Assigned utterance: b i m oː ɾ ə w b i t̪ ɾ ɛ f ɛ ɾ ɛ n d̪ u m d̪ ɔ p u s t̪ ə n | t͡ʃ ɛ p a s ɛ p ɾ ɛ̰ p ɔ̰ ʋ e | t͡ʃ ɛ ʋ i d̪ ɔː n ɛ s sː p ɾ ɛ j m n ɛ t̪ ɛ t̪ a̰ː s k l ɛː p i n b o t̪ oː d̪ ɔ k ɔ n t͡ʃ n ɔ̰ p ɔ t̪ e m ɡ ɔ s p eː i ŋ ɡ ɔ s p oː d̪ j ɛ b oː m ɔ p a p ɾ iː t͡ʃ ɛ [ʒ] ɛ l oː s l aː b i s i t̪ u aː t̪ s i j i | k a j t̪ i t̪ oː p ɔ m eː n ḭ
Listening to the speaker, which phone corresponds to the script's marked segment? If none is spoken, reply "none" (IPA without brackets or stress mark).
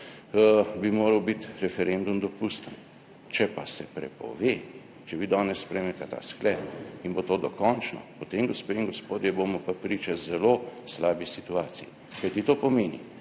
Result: z